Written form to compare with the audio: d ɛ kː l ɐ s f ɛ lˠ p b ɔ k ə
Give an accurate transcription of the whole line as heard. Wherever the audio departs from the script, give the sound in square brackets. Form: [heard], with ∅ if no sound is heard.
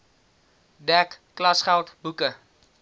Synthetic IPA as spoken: d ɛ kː l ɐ s [χ] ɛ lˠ [t] b [u] k ə